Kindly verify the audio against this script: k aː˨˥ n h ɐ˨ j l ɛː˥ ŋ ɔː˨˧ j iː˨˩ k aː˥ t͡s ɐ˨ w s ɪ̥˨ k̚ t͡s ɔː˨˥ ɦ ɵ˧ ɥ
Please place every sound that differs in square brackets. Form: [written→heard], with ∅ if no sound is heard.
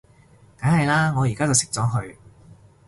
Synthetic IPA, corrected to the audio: k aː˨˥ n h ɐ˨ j l [ɛː˥→aː˥] ŋ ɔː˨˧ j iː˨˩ k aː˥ t͡s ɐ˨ w s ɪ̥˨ k̚ t͡s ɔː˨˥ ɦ ɵ˧ ɥ